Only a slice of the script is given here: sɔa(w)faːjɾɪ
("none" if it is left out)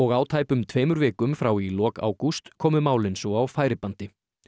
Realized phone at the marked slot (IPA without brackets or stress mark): w